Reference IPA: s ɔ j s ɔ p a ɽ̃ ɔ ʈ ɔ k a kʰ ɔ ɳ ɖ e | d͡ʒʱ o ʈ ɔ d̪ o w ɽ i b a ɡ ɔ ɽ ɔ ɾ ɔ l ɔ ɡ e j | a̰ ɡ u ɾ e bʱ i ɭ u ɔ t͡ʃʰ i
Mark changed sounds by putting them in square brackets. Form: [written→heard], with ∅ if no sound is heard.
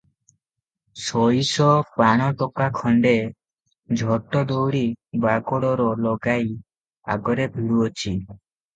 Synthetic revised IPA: s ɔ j s ɔ p a ɽ̃ ɔ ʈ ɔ k a kʰ ɔ ɳ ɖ e | d͡ʒʱ [o→ɔ] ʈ ɔ d̪ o w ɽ i b a ɡ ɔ ɽ ɔ ɾ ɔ l ɔ ɡ [e→a] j | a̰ ɡ [u→ɔ] ɾ e bʱ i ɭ u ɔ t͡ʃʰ i